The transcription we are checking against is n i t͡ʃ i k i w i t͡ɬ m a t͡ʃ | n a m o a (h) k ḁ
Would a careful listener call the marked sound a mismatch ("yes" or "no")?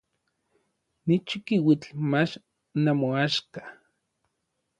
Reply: yes